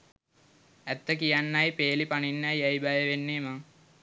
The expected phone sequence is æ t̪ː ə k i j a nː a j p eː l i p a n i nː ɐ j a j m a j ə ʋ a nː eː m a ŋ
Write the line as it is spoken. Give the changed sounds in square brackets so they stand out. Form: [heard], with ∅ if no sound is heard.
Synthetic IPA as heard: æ t̪ː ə k i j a nː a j p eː l i p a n i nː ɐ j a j [b] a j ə ʋ [e] nː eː m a ŋ